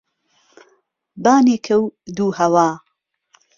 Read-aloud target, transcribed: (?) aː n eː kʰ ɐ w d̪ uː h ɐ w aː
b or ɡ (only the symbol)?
b